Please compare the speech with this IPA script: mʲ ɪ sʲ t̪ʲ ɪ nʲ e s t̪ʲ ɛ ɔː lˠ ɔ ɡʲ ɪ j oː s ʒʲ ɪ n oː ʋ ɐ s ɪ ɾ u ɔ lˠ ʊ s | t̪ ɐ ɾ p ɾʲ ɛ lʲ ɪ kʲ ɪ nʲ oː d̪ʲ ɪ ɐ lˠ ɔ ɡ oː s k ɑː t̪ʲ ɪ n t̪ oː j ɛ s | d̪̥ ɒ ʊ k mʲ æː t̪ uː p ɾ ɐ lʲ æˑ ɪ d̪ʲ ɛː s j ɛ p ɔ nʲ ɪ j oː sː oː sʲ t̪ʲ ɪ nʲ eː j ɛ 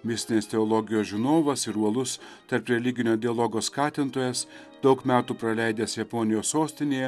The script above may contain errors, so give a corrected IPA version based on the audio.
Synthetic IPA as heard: mʲ ɪ sʲ t̪ʲ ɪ nʲ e s t̪ʲ ɛ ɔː lˠ ɔ ɡʲ ɪ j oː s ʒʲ ɪ n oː ʋ ɐ s ɪ ɾ u ɔ lˠ ʊ s | t̪ ɐ ɾ p ɾʲ ɛ lʲ ɪ ɡʲ ɪ nʲ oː d̪ʲ ɪ ɐ lˠ ɔ ɡ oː s k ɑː t̪ʲ ɪ n t̪ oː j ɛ s | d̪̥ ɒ ʊ k mʲ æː t̪ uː p ɾ ɐ lʲ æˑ ɪ d̪ʲ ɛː s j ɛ p ɔ nʲ ɪ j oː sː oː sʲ t̪ʲ ɪ nʲ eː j ɛ